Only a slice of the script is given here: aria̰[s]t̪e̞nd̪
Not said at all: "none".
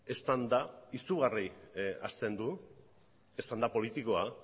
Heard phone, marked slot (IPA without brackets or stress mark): s